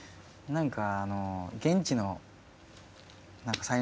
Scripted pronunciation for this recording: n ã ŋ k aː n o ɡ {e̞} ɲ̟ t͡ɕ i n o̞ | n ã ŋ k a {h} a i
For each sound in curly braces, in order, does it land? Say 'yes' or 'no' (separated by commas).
no, no